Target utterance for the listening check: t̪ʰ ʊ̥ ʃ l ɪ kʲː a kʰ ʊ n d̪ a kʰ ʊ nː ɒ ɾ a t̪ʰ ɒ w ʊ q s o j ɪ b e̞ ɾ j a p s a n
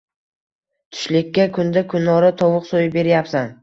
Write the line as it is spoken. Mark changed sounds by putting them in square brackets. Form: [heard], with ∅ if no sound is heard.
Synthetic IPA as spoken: t̪ʰ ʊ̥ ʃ l ɪ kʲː a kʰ ʊ n d̪ a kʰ ʊ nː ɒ ɾ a t̪ʰ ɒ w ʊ q s o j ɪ b e̞ ɾ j a p s a n